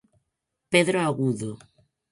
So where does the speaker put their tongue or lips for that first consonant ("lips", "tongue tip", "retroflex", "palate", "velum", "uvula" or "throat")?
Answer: lips